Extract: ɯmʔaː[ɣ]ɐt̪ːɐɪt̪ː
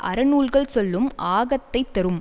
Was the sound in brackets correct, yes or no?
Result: yes